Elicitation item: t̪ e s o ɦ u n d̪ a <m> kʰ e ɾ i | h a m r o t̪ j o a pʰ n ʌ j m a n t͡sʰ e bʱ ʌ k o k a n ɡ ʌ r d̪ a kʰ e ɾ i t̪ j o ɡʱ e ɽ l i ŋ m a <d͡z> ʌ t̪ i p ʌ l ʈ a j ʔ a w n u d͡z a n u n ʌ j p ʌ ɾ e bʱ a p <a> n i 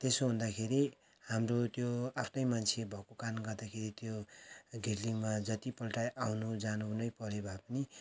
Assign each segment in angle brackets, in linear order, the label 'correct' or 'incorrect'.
incorrect, correct, incorrect

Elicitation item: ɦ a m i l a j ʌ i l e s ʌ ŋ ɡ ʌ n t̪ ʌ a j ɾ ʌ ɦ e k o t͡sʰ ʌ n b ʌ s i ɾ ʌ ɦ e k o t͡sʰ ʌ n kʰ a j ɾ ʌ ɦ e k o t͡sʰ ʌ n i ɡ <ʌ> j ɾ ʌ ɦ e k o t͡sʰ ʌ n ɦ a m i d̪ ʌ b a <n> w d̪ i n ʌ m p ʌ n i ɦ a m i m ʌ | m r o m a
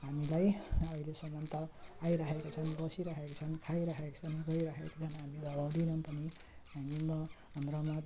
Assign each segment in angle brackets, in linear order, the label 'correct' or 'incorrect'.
correct, incorrect

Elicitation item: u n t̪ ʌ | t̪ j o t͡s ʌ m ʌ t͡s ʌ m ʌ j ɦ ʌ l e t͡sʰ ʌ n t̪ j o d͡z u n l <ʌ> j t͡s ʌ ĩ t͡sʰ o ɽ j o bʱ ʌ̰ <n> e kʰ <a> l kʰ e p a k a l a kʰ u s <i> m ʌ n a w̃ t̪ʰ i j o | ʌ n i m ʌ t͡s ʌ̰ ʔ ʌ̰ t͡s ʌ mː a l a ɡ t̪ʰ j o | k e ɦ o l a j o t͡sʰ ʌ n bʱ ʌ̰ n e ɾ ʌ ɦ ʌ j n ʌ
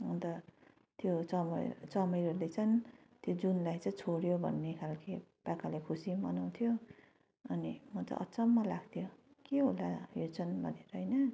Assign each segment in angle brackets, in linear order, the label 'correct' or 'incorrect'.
incorrect, incorrect, correct, correct

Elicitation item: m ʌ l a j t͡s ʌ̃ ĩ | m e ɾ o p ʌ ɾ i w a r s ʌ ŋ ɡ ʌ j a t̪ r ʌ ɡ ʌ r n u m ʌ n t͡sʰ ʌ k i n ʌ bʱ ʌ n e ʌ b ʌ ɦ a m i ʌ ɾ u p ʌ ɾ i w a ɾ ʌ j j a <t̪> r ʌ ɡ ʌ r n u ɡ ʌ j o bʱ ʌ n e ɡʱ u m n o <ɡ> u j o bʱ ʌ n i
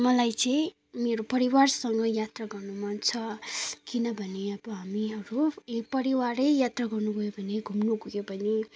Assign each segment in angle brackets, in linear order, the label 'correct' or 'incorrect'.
correct, correct

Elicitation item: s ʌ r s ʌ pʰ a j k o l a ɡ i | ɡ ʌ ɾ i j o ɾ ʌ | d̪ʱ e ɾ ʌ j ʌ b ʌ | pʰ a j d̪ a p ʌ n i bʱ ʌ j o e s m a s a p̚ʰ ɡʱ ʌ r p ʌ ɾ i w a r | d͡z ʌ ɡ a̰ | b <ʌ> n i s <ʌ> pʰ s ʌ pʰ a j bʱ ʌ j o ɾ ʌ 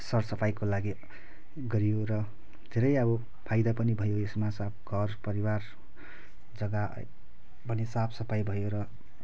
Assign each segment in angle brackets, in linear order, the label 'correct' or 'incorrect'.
correct, incorrect

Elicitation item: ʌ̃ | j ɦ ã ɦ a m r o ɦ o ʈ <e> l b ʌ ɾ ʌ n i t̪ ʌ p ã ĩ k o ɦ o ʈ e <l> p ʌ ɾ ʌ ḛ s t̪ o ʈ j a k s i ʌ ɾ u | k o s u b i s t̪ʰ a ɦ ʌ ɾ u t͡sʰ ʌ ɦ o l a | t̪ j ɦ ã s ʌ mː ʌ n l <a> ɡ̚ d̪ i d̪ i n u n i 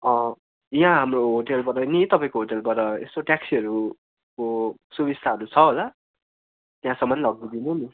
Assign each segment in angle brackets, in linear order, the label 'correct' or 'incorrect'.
correct, correct, incorrect

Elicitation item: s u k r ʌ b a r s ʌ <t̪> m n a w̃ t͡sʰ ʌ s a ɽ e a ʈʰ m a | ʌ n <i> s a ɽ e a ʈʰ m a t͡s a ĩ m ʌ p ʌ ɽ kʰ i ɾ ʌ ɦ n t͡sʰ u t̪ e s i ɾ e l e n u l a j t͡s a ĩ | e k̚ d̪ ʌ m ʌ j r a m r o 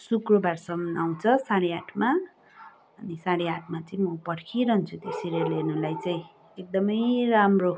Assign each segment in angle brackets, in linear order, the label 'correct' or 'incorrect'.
incorrect, correct

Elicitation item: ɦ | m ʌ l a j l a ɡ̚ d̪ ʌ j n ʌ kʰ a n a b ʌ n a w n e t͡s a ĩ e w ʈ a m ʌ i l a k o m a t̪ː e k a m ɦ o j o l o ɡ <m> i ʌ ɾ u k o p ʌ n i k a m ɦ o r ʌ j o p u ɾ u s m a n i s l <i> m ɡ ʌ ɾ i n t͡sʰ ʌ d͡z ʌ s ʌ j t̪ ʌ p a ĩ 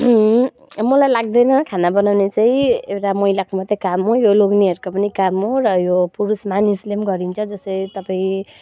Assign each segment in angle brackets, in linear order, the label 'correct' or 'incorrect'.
incorrect, incorrect

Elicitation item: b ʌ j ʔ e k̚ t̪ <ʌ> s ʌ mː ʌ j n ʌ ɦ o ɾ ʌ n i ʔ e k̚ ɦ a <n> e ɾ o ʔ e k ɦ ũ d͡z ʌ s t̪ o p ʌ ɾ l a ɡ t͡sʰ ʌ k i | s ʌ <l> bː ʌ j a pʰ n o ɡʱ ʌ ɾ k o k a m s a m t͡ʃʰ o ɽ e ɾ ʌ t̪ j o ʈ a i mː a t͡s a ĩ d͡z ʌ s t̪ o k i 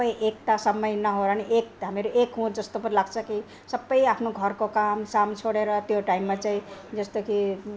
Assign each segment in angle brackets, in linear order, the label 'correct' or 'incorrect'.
incorrect, incorrect, incorrect

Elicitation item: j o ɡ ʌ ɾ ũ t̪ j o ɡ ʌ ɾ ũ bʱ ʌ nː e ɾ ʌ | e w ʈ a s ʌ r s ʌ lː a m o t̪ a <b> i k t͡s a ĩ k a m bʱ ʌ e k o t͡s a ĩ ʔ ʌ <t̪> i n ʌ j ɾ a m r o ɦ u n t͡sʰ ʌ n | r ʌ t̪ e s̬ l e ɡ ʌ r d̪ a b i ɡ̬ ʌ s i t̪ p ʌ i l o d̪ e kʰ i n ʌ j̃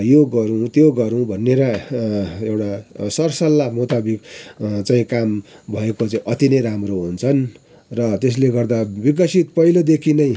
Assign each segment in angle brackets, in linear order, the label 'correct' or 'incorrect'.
correct, correct

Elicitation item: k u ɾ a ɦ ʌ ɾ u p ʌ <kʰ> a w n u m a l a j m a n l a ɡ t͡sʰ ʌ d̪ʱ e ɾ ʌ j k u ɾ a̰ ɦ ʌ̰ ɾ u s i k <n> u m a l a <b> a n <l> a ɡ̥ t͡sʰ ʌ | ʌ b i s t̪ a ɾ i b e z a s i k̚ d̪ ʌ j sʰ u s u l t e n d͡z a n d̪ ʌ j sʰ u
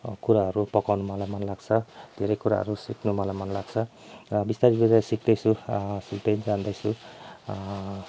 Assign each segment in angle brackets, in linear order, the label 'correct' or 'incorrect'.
incorrect, correct, incorrect, correct

